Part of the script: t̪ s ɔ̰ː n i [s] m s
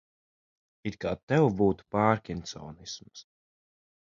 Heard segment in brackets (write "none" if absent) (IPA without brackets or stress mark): s